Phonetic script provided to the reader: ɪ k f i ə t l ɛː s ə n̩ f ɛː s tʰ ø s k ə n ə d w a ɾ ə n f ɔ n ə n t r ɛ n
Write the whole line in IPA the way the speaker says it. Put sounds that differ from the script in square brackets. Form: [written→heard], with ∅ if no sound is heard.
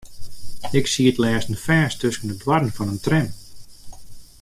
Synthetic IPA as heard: ɪ k [f→s] i ə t l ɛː s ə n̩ f ɛː s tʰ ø s k ə n ə d w a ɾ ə n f ɔ n ə n t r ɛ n